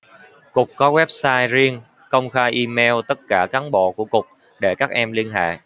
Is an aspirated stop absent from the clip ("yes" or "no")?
yes